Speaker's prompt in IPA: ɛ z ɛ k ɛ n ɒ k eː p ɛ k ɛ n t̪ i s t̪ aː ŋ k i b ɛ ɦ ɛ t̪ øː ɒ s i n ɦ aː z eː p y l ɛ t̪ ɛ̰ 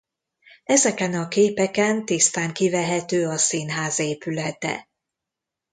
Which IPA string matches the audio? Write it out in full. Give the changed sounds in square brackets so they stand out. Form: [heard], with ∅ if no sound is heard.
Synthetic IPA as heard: ɛ z ɛ k ɛ n ɒ k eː p ɛ k ɛ n t̪ i s t̪ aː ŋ k i [v] ɛ ɦ ɛ t̪ øː ɒ s i n ɦ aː z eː p y l ɛ t̪ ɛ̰